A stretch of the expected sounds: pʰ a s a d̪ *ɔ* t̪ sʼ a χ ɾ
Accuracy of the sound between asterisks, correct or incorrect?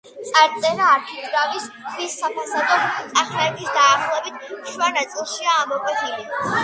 correct